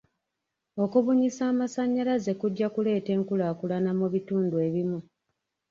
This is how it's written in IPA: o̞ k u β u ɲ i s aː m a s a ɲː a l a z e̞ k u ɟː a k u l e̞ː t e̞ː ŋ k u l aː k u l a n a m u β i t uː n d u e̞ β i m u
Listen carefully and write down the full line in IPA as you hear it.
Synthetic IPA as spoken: o̞ k u β u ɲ i s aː m a s a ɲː a l a z e̞ k u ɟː a k u l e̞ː t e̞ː ŋ k u l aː k u l a n a m u β i t uː n d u e̞ β i m u